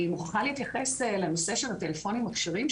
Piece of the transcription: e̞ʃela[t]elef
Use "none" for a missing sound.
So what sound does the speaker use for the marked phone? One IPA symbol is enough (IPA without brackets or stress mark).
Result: t